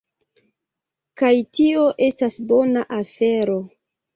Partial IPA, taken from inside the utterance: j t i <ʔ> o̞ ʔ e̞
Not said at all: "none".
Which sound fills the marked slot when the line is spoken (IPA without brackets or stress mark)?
none